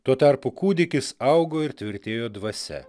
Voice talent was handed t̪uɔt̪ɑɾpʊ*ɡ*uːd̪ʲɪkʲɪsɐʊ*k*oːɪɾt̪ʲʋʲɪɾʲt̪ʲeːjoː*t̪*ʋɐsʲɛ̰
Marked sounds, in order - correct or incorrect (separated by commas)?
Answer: incorrect, incorrect, incorrect